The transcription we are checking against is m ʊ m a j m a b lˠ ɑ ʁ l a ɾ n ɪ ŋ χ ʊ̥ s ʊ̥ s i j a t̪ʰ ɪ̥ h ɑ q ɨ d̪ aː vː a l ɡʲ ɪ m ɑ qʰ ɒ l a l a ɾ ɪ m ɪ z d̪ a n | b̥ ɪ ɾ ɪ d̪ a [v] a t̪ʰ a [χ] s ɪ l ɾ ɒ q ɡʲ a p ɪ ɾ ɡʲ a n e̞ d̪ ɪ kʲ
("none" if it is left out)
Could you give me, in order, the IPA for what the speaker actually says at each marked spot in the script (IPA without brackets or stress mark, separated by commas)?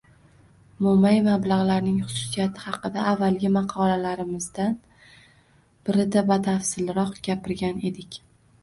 b, f